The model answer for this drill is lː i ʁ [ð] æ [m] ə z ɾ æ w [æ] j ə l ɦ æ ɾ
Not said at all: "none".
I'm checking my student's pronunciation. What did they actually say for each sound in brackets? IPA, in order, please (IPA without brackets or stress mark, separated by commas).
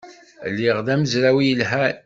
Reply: ð, m, i